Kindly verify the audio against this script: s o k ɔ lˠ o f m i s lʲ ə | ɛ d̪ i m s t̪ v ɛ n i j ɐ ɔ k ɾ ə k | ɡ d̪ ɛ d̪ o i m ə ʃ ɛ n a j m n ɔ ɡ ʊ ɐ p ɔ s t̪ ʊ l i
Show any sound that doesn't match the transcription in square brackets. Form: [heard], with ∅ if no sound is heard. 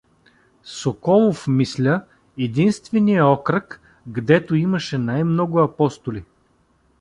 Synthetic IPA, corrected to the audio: s o k ɔ lˠ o f m i s lʲ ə | ɛ d̪ i [n] s t̪ v ɛ n i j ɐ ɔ k ɾ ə k | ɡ d̪ ɛ [t̪] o i m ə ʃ ɛ n a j m n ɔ ɡ ʊ ɐ p ɔ s t̪ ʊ l i